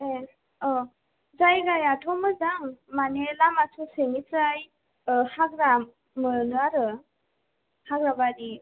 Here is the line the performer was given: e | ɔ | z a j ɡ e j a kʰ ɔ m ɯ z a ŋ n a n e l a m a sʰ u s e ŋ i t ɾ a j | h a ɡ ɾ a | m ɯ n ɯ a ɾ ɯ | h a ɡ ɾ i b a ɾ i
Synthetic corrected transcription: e | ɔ | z a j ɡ a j a tʰ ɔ m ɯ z a ŋ m a n e l a m a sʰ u s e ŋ i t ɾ a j | h a ɡ ɾ a | m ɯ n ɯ a ɾ ɯ | h a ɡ ɾ a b a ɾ i